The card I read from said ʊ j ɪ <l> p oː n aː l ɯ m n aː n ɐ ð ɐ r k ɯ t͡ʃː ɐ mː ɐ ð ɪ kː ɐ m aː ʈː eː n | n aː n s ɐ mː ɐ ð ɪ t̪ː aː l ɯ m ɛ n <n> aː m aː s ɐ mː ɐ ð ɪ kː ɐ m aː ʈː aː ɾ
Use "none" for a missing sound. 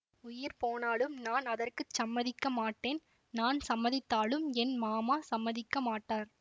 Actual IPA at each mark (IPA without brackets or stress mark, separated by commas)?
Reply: ɾ, m